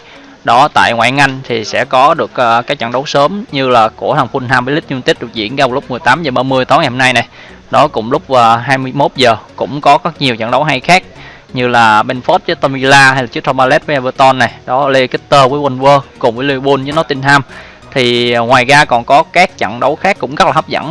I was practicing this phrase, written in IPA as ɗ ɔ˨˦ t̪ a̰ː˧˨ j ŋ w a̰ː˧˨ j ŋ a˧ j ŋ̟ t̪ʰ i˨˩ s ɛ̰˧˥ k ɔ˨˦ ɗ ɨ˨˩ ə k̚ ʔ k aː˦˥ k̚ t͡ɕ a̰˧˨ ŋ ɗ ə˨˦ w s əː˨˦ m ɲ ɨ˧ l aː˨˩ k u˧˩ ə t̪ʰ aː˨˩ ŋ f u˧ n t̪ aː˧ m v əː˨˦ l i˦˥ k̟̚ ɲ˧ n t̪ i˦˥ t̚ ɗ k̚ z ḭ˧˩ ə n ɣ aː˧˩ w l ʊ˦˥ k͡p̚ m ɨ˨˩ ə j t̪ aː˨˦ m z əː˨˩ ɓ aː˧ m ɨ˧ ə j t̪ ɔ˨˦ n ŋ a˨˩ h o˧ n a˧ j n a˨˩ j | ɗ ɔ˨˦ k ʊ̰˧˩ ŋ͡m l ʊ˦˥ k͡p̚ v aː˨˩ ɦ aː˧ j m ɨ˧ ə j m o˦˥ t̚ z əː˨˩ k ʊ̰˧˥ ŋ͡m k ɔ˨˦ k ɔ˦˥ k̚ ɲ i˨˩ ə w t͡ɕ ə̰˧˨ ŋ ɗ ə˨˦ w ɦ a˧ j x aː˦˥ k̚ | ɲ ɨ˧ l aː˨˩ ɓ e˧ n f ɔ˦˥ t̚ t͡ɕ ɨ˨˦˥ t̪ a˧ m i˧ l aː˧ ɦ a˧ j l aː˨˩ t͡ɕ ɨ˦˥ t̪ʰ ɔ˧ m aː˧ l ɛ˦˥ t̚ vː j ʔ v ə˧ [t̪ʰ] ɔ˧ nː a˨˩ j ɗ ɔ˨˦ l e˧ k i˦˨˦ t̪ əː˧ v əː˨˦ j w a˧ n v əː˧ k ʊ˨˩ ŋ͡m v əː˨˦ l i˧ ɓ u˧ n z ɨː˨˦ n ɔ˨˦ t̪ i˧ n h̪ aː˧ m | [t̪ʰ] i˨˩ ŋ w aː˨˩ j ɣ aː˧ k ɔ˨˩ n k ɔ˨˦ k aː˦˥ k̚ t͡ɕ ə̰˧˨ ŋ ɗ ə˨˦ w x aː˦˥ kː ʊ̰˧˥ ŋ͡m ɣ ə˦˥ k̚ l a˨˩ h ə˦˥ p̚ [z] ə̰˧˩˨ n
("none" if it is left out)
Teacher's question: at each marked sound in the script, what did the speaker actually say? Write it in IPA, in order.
t̪, t̪ʰ, z

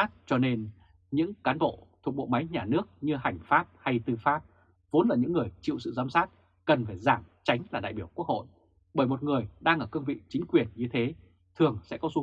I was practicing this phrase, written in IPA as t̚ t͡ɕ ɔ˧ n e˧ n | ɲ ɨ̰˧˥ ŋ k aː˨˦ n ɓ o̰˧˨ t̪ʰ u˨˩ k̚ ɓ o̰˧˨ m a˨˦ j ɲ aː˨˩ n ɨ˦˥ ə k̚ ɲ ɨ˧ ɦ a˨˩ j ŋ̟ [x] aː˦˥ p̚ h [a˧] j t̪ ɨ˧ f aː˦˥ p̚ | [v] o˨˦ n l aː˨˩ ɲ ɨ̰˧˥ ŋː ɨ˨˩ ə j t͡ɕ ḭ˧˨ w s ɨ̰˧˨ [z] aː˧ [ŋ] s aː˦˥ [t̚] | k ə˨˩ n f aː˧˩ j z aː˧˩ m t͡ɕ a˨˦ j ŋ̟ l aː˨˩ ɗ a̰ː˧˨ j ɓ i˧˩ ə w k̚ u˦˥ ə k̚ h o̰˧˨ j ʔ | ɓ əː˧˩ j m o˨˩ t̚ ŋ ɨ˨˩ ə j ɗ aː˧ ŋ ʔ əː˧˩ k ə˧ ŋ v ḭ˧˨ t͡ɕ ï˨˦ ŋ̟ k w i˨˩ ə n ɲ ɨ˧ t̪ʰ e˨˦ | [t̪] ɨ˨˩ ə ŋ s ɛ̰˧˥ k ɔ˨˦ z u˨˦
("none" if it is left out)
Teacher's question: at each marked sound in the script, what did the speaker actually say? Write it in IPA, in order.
f, a˧, v, z, m, t̚, t̪ʰ

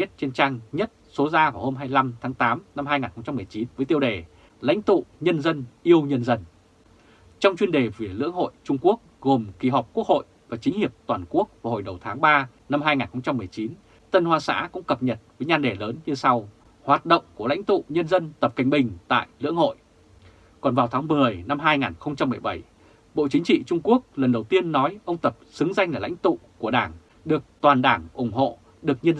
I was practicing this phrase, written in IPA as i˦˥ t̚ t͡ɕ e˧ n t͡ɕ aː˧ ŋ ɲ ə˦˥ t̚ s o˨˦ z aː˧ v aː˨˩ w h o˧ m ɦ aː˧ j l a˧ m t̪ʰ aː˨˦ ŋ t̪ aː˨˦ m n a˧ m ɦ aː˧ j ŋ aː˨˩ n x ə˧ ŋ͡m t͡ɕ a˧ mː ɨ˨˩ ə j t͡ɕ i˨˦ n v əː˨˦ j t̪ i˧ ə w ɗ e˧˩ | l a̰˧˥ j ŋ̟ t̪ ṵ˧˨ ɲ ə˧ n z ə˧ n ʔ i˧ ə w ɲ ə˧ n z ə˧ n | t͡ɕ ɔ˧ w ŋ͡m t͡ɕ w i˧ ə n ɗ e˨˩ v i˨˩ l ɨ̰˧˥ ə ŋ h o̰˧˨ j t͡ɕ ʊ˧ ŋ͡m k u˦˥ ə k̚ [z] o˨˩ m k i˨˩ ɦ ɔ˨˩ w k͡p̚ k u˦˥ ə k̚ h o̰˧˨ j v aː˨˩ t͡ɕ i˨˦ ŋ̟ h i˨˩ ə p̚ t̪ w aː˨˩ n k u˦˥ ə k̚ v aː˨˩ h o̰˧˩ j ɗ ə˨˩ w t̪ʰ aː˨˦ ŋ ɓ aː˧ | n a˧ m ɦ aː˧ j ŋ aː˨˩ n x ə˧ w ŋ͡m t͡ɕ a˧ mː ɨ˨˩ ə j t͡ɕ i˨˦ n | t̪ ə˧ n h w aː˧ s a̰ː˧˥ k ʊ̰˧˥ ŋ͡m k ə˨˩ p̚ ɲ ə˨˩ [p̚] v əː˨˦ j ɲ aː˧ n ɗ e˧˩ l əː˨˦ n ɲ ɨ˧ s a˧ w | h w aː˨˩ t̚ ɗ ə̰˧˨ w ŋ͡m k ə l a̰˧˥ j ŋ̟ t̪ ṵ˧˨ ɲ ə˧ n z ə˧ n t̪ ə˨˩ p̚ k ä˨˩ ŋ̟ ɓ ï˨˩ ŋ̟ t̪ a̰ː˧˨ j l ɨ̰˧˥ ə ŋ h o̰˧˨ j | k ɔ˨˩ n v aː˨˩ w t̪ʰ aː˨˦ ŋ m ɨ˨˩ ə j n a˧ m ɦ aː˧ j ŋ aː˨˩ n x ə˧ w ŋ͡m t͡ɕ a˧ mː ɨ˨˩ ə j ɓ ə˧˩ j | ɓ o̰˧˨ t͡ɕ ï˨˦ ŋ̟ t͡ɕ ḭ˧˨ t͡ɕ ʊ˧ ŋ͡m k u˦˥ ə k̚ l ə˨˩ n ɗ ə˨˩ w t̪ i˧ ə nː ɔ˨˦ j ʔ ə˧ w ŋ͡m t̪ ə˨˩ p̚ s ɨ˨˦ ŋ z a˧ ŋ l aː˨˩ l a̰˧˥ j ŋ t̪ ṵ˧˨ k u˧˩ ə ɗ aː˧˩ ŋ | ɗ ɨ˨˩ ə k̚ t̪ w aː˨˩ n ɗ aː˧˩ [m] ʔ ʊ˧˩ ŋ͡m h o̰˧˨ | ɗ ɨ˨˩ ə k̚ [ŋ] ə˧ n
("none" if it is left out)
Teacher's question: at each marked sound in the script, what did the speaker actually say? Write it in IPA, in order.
ɣ, t̚, ŋ, ɲ

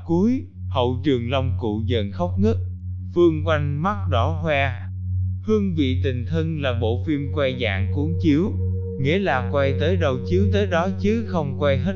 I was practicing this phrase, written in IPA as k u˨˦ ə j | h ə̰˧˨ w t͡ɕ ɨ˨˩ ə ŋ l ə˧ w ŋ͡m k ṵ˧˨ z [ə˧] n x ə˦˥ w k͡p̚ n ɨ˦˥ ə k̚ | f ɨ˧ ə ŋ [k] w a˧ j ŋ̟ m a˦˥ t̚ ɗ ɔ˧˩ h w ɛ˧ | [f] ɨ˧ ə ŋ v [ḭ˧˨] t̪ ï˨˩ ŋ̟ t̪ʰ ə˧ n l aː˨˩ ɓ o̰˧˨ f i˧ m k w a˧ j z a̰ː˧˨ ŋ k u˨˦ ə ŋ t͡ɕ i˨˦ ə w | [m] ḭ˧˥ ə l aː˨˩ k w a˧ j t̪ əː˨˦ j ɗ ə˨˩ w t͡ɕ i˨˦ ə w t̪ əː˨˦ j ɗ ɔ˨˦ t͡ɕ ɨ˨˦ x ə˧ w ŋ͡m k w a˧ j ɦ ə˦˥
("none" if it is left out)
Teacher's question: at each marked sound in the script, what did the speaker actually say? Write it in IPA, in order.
ə˨˩, k, h, ḭ˧˨, ŋ

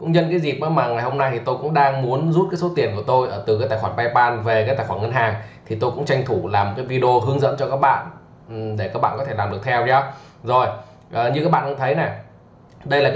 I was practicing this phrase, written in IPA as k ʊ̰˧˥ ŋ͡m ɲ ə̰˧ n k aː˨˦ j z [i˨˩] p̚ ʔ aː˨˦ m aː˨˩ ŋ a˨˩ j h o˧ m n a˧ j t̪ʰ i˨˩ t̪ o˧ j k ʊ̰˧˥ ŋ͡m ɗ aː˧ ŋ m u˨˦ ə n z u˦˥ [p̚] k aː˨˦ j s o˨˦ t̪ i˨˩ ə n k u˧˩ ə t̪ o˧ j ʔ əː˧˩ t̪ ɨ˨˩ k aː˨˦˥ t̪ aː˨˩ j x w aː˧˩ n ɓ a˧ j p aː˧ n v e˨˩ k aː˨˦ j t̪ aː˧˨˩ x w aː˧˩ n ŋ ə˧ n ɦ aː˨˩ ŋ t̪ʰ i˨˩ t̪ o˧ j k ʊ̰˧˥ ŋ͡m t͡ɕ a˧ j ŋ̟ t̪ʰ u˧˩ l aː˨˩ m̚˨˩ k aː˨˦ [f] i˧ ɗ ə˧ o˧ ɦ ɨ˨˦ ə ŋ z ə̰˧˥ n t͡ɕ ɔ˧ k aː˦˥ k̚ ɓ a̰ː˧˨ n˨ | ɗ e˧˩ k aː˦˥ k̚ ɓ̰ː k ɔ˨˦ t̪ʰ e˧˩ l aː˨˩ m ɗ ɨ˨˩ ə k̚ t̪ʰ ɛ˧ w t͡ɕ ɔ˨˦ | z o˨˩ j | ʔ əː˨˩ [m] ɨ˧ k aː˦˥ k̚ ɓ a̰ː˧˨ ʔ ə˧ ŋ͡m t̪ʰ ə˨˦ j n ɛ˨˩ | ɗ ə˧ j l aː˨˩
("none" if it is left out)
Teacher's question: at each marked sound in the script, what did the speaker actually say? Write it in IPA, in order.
i˨˩, t̚, v, ɲ

